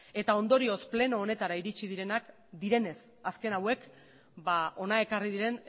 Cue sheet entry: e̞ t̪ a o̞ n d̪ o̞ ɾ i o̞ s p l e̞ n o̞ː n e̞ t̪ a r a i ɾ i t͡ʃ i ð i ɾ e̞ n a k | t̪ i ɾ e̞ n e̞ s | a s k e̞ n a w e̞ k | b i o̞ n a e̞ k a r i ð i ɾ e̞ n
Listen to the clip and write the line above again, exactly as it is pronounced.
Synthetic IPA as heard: e̞ t̪ a o̞ n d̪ o̞ ɾ i o̞ s p l e̞ n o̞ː n e̞ t̪ a ɾ a i ɾ i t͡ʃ i ð i ɾ e̞ n a k | d̪ i ɾ e̞ n e̞ s | a s k e̞ n a w e̞ k | b a o̞ n a e̞ k a r i ð i ɾ e̞ n